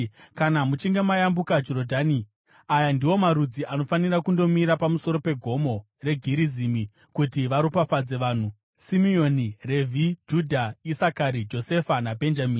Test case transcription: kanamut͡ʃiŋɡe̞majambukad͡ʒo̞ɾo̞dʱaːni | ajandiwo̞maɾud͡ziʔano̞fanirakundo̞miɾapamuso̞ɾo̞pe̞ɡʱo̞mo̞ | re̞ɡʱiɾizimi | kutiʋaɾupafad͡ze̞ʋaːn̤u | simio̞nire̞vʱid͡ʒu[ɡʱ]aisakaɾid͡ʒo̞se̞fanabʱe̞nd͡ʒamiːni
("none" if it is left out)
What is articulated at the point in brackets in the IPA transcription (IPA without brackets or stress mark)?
dʱ